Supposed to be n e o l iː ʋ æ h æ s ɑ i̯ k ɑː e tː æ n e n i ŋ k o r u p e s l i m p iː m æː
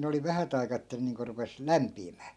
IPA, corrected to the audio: n e o l i ʋ æ h æ t ɑ i̯ k ɑː e tː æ n e n iː ŋ k o r u p e s l æ m p iː m æː